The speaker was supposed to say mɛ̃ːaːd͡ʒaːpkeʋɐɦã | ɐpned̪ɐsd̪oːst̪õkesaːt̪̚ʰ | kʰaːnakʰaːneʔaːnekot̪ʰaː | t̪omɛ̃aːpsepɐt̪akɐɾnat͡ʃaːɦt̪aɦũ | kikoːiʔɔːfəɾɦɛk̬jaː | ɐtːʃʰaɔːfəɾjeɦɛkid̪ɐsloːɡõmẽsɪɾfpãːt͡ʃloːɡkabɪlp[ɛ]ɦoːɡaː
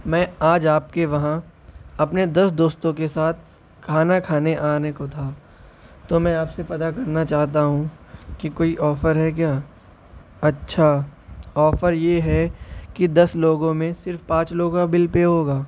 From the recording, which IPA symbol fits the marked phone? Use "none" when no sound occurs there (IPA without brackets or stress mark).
e